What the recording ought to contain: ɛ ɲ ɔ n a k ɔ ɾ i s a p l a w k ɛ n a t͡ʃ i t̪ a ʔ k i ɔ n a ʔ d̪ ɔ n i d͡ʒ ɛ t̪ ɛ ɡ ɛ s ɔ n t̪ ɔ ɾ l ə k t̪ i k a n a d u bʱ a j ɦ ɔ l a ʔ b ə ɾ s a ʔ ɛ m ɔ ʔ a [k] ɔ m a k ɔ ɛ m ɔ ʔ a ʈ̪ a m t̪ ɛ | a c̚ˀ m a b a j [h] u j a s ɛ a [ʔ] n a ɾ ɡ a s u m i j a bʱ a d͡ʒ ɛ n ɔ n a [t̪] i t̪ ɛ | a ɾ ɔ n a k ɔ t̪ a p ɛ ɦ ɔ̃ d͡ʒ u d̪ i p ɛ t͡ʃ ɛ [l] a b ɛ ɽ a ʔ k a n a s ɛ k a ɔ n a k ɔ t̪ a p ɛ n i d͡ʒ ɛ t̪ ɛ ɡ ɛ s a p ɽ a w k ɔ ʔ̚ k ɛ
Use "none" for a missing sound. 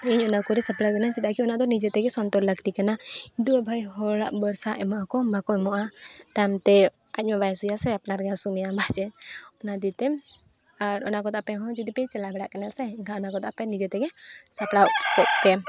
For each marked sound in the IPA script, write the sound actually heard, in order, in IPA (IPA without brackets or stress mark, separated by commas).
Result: k, s, p, d̪, l